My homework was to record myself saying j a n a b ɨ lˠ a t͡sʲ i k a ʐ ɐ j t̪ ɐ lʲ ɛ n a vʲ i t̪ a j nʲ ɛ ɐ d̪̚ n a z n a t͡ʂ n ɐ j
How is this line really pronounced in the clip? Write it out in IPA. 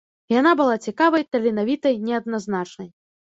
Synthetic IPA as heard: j a n a b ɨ lˠ a t͡sʲ i k a v ɐ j t̪ ɐ lʲ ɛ n a vʲ i t̪ ɐ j nʲ ɛ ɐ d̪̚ n a z n a t͡ʂ n ɐ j